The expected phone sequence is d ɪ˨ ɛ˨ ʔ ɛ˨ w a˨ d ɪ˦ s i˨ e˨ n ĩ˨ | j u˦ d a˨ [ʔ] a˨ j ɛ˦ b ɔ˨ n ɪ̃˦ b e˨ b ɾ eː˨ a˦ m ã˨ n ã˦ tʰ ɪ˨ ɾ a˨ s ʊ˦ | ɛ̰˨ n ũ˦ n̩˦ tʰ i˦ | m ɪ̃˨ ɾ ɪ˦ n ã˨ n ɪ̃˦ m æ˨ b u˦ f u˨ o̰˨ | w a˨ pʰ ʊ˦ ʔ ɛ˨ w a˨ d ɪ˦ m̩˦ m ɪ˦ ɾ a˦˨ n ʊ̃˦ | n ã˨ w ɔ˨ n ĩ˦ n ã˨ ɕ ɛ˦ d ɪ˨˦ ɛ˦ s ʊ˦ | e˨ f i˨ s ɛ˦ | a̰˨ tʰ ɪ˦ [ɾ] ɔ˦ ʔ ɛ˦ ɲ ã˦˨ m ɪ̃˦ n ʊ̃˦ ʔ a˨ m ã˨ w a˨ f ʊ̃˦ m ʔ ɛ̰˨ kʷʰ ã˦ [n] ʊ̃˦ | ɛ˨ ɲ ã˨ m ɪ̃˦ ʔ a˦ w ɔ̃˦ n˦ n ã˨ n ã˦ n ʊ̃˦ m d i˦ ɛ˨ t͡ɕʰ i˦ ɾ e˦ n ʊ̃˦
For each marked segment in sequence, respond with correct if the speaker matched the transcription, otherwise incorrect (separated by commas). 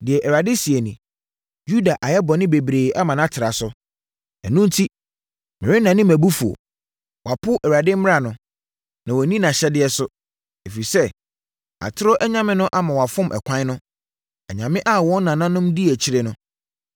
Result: correct, correct, correct